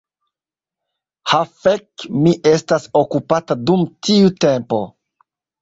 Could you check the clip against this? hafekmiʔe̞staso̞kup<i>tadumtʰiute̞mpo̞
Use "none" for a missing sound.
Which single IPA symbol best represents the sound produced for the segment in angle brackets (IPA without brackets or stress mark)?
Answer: a